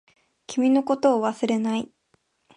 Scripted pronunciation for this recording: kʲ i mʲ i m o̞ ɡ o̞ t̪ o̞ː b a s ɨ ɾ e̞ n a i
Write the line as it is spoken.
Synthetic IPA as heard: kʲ i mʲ i n o̞ k o̞ t̪ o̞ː β a s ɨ ɾ e̞ n a i